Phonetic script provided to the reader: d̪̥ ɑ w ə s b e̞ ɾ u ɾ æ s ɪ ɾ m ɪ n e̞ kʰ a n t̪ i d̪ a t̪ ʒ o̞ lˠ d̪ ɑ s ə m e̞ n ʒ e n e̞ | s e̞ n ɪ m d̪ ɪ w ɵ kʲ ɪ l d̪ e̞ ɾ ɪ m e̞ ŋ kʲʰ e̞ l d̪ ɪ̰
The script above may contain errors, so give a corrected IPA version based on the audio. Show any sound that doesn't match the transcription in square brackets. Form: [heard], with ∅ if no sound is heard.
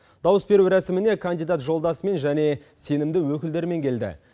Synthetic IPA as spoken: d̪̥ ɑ w ə s b e̞ ɾ u ɾ æ s ɪ [∅] m ɪ n e̞ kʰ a n [d̪] i d̪ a t̪ ʒ o̞ lˠ d̪ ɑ s ə m e̞ n ʒ [æ] n e̞ | s e̞ n ɪ m d̪ ɪ w ɵ kʲ ɪ l d̪ e̞ ɾ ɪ m e̞ ŋ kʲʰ e̞ l d̪ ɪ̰